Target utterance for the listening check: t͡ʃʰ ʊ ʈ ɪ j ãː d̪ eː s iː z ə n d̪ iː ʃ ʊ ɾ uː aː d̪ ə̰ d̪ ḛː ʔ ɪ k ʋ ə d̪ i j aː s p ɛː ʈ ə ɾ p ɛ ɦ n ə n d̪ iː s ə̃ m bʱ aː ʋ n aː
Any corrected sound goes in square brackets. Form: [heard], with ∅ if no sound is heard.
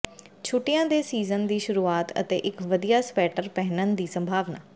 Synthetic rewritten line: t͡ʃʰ ʊ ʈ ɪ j ãː d̪ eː s iː z ə n d̪ iː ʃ ʊ ɾ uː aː [t̪] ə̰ [t̪] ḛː ʔ ɪ k ʋ ə d̪ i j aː s p ɛː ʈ ə ɾ p ɛ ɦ n ə n d̪ iː s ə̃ m bʱ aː ʋ n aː